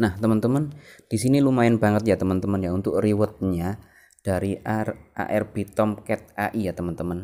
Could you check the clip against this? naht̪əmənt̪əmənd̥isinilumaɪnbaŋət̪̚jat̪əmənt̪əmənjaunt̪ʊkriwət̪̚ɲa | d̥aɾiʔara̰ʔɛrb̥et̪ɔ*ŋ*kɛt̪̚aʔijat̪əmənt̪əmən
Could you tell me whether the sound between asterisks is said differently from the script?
yes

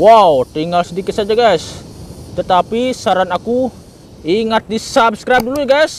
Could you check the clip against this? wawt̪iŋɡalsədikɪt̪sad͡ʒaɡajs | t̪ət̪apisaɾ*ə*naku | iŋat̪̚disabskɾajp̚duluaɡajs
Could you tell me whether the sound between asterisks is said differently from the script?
yes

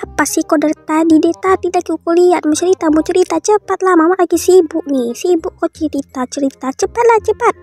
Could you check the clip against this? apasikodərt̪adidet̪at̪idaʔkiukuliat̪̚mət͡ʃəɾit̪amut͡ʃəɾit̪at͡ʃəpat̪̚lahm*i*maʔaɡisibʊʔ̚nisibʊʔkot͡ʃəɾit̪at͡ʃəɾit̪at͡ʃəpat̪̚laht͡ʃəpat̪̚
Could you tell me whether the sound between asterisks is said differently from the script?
yes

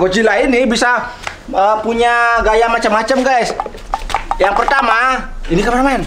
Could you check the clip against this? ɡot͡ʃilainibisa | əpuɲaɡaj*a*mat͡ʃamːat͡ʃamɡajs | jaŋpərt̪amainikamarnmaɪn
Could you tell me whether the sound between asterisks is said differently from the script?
no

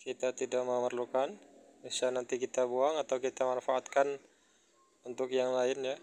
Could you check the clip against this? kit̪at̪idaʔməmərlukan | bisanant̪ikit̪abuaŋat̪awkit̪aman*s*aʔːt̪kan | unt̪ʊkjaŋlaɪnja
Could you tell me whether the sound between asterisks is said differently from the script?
yes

